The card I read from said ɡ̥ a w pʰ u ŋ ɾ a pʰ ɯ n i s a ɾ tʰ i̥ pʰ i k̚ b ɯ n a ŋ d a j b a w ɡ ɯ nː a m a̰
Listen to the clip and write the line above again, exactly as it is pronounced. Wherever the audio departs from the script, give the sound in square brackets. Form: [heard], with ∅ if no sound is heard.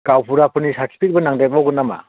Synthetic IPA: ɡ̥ a w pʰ u [∅] ɾ a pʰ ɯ n i s a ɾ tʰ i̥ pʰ i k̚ b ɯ n a ŋ d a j b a w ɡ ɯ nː a m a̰